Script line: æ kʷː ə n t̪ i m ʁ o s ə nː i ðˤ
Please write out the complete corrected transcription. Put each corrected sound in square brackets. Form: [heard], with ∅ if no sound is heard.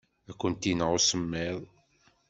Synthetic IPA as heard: æ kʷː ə n t̪ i [n] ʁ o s ə [mː] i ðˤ